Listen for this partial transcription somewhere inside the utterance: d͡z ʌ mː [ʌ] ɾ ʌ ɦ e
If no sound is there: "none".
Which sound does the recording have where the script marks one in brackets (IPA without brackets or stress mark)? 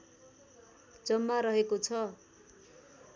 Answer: a